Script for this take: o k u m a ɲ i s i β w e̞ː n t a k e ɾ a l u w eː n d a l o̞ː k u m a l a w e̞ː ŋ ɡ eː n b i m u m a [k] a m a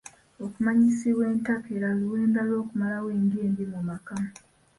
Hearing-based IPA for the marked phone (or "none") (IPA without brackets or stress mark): k